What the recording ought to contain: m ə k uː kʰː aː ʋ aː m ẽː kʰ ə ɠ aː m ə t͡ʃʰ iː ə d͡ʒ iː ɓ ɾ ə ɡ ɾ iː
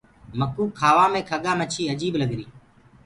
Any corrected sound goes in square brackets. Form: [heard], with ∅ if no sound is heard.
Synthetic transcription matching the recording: m ə k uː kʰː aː ʋ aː m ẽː kʰ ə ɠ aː m ə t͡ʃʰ iː ə d͡ʒ iː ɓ [l] ə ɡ ɾ iː